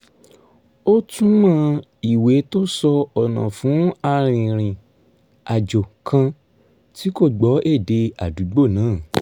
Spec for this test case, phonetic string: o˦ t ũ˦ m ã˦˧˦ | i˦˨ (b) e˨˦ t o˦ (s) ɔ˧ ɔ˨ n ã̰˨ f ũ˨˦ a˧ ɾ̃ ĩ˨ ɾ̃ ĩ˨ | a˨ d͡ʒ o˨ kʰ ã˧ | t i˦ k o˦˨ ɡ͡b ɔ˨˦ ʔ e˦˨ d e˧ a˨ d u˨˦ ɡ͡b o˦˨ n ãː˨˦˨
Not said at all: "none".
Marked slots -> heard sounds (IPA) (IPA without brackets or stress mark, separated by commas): w, s